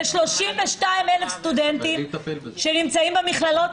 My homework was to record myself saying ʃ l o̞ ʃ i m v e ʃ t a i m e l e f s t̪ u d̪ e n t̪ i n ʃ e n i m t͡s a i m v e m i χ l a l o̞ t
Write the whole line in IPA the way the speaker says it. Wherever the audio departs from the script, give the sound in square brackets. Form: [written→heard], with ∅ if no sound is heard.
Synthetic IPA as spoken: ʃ l o̞ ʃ i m v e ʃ t a i m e l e f s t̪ u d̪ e n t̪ i [n→m] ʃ e n i m t͡s a i m [v→b] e m i χ l a l o̞ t